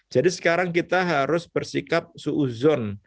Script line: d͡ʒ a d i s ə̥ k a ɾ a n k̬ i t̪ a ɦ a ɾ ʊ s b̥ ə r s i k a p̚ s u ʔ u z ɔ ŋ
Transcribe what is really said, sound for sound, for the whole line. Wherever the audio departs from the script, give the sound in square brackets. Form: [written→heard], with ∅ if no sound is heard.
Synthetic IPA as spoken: d͡ʒ a d i s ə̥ k a ɾ a [n→ŋ] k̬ i t̪ a ɦ a ɾ ʊ s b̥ ə r s i k a p̚ s u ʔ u z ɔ [ŋ→n]